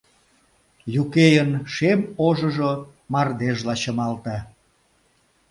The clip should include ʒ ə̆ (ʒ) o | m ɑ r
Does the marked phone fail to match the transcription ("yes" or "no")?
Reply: no